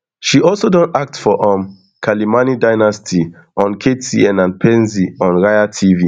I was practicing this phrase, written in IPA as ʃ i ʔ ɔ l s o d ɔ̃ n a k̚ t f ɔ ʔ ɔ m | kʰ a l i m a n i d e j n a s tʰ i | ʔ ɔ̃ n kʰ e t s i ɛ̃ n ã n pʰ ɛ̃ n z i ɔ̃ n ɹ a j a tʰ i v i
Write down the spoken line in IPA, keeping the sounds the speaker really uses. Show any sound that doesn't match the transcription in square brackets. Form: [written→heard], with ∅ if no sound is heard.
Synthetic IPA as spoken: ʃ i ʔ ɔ l s o d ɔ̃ n a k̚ t f ɔ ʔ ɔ m | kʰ a l i m a n i d [e→a] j n a s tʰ i | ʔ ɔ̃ n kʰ e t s i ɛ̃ n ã n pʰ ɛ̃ n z i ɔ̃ n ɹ a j a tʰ i v i